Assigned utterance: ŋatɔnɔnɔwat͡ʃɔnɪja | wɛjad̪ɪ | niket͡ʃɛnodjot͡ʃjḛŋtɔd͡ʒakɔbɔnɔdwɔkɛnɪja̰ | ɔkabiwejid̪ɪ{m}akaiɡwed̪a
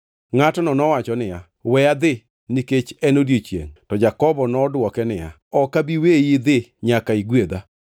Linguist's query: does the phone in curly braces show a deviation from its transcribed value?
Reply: yes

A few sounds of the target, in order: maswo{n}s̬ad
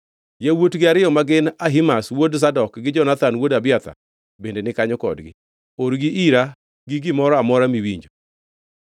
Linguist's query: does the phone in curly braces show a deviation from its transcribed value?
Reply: yes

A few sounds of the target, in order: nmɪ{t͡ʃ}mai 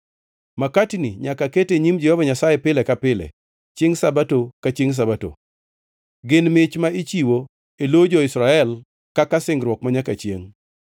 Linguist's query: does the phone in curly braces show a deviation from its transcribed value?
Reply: no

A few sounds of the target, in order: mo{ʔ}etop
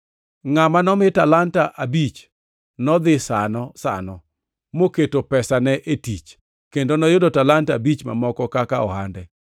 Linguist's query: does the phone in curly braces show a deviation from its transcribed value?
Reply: yes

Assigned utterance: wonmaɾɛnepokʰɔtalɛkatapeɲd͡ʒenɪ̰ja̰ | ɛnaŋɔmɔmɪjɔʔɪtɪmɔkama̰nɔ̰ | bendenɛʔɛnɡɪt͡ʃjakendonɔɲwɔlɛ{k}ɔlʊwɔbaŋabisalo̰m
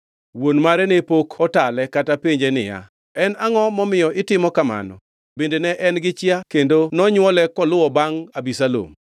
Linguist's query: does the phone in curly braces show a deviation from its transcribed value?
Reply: no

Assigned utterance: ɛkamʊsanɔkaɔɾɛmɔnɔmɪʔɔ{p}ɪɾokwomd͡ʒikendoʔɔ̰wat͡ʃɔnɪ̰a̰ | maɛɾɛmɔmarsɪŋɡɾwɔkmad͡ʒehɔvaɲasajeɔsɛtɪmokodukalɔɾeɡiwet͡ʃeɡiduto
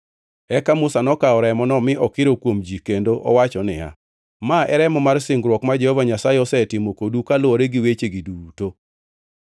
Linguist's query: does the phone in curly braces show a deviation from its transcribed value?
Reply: yes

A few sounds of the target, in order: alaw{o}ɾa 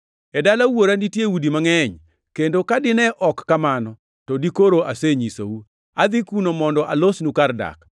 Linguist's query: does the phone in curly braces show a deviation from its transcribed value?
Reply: no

